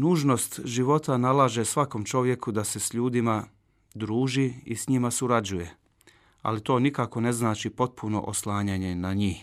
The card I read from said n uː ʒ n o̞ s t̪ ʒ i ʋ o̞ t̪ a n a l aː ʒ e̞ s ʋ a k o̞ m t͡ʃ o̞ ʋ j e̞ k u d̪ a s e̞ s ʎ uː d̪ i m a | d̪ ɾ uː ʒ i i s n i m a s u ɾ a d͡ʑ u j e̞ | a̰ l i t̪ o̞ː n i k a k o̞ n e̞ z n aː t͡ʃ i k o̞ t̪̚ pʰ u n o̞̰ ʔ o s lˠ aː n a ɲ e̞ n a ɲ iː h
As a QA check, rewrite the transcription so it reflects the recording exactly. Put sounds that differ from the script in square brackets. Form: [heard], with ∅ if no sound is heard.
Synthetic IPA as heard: n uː ʒ n o̞ s t̪ ʒ i ʋ o̞ t̪ a n a l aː ʒ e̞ s ʋ a k o̞ m t͡ʃ o̞ ʋ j e̞ k u d̪ a s e̞ s ʎ uː d̪ i m a | d̪ ɾ uː ʒ i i s [ɲ] i m a s u ɾ a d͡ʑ u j e̞ | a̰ l i t̪ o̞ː n i k a k o̞ n e̞ z n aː t͡ʃ i [p] o̞ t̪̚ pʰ u n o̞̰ ʔ o s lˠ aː [ɲ] a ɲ e̞ n a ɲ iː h